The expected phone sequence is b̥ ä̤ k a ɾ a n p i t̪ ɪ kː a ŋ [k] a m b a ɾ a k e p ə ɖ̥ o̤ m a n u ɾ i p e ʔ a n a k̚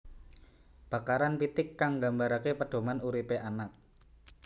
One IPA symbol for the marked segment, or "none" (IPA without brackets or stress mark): ɡ